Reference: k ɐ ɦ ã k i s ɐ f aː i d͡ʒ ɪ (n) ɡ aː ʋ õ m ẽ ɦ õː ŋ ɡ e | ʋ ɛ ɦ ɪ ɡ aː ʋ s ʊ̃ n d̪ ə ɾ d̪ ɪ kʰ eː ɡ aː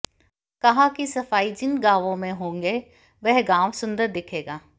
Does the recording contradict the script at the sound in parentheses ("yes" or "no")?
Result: no